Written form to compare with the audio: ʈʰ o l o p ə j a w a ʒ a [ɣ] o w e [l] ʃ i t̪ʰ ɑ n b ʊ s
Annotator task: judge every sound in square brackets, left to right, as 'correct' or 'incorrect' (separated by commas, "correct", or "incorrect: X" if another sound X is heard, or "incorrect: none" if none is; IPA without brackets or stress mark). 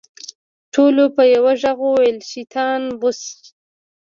correct, correct